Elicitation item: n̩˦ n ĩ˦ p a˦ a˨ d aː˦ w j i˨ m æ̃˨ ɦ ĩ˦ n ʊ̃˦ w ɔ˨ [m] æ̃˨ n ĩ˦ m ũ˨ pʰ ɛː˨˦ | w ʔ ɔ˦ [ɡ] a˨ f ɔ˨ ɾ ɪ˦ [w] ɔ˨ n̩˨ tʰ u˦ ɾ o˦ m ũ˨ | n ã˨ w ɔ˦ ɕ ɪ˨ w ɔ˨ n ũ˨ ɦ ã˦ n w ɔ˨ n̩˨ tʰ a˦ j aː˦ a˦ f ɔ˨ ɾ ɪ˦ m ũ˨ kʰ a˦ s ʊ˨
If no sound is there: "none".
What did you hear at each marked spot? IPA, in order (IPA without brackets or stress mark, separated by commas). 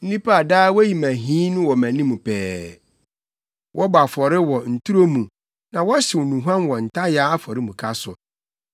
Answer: m, b, w